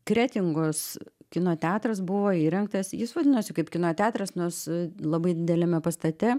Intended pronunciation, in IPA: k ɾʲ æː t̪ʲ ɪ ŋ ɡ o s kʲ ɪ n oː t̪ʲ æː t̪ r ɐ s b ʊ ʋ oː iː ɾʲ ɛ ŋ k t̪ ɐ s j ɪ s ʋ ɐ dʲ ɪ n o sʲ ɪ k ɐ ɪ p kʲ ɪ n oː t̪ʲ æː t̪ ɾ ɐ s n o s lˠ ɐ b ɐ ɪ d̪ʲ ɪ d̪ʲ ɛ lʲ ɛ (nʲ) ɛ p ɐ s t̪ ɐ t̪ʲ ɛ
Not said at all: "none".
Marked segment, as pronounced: mʲ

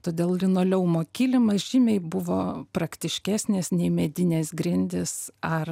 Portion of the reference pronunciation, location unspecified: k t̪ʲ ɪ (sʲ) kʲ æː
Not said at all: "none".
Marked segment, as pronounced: ʃʲ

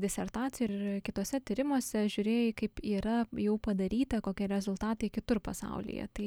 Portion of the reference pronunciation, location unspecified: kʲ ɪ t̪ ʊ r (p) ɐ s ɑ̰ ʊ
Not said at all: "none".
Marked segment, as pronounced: p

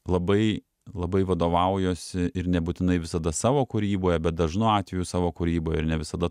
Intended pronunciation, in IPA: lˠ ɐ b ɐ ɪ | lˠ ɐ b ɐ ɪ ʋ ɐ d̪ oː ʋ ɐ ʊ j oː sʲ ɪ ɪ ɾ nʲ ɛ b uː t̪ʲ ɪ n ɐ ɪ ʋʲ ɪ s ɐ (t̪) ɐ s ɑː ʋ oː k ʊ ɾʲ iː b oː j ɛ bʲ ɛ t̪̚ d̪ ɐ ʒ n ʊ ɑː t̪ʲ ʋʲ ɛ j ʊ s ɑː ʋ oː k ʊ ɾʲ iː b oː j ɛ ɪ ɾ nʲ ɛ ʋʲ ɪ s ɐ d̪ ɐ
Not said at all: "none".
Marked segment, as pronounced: d̪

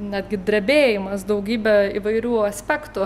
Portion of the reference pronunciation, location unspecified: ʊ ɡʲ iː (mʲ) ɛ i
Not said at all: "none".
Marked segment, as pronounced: bʲ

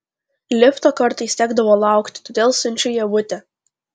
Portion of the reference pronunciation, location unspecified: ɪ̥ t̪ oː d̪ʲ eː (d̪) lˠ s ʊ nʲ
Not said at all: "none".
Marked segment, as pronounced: none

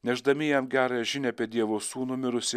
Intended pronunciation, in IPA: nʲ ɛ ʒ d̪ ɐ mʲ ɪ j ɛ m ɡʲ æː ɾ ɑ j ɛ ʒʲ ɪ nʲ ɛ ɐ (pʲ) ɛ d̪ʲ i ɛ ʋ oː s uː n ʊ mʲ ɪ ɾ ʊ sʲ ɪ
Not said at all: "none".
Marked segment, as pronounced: pʲ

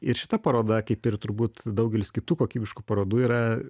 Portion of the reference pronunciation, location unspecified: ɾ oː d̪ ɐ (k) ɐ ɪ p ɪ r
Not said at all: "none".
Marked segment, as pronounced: k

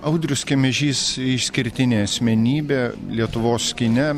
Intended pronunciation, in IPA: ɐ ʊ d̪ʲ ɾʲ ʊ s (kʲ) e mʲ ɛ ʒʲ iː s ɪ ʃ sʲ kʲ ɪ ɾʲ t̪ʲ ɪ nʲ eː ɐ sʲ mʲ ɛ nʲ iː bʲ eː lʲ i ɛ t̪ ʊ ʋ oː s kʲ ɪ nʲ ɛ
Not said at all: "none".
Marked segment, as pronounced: kʲ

